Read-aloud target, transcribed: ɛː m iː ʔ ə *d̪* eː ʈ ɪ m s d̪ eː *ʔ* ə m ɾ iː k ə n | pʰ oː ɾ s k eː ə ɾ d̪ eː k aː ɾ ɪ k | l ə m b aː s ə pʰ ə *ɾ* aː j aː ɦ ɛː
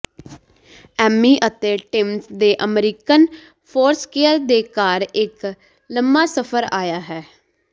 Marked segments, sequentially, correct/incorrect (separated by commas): incorrect, correct, correct